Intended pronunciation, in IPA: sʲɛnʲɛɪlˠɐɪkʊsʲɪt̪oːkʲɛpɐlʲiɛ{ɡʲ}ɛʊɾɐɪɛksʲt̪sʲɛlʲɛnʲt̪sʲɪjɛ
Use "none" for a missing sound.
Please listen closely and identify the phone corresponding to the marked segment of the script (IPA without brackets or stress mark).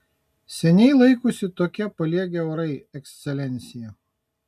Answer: ɡʲ